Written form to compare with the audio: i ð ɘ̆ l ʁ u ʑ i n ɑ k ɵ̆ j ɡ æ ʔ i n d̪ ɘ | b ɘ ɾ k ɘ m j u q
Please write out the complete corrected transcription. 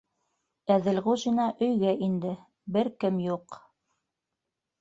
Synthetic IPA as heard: æ ð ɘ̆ l ʁ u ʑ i n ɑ ʔ ɵ̆ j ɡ æ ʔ i n d̪ ɘ | b ɘ ɾ k ɘ m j u q